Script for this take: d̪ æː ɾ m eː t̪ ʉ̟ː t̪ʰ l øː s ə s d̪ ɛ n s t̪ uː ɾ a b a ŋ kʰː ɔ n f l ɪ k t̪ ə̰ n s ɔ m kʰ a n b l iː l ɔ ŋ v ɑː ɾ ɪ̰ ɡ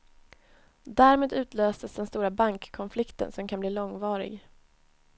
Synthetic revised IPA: d̪ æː ɾ m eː d̪ ʉ̟ː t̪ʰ l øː s ə s d̪ ɛ n s t̪ uː ɾ a b a ŋ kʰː ɔ n f l ɪ k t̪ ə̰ n s ɔ m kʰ a n b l iː l ɔ ŋ v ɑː ɾ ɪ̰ ɡ